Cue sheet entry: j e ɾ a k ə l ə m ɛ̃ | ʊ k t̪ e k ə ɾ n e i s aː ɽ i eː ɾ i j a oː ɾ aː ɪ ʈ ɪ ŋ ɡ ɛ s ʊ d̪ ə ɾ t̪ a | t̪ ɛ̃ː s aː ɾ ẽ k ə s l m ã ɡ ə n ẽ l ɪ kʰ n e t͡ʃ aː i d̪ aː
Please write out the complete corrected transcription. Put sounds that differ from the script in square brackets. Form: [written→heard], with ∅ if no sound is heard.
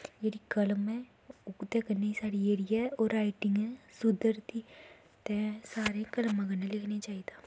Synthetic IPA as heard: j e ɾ [a→i] k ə l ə m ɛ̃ | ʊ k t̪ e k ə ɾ n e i s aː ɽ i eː ɾ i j a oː ɾ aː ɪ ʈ ɪ ŋ ɡ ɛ s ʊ d̪ ə ɾ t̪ [a→i] | t̪ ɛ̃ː s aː ɾ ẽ k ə [s→∅] l m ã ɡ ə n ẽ l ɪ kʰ n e t͡ʃ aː i d̪ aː